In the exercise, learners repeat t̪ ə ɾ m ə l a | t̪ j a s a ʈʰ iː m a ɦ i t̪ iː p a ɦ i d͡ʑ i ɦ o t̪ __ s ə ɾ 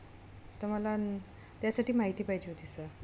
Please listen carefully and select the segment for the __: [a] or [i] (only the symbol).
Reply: i